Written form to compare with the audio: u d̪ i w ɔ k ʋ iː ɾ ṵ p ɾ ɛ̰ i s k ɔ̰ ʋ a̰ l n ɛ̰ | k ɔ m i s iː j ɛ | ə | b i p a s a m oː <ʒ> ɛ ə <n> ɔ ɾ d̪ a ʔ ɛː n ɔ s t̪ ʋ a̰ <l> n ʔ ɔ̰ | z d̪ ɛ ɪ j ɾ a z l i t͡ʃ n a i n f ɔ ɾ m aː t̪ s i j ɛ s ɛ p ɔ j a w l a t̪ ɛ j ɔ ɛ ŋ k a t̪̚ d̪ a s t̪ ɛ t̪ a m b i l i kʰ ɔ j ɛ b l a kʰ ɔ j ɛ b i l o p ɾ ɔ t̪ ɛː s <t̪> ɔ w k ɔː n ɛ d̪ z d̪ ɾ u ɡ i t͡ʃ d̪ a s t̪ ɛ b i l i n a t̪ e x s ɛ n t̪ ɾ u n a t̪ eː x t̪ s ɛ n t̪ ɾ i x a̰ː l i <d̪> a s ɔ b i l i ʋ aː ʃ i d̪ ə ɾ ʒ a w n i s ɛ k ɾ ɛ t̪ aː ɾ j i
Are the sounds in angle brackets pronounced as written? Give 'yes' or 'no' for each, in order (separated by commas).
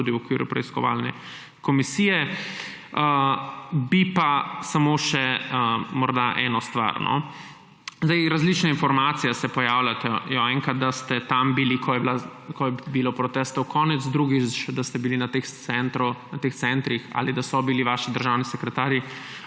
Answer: no, no, no, yes, yes